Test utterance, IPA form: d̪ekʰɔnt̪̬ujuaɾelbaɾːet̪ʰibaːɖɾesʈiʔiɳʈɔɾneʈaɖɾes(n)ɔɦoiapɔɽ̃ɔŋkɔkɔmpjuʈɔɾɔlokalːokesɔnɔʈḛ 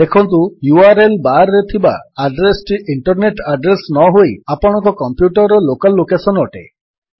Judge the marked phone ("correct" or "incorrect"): correct